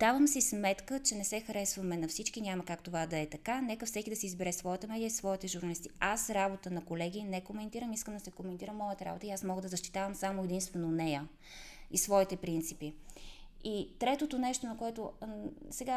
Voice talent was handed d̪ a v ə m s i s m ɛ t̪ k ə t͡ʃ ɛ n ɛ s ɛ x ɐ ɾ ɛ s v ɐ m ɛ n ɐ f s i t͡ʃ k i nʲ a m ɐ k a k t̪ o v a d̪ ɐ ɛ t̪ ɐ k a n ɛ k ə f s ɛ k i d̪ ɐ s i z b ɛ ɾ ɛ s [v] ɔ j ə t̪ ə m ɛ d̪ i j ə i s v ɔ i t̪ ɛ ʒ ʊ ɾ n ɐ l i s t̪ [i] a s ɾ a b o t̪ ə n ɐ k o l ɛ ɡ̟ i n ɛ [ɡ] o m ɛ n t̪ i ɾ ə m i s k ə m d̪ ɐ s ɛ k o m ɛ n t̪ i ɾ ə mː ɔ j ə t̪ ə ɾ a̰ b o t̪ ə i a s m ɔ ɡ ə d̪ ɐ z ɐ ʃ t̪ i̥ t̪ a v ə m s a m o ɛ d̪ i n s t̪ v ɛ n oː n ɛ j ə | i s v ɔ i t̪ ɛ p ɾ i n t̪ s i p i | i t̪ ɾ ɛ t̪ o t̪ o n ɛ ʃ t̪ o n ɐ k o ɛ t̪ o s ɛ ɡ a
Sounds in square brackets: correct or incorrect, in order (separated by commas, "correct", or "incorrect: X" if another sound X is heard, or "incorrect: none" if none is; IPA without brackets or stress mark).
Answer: correct, correct, incorrect: k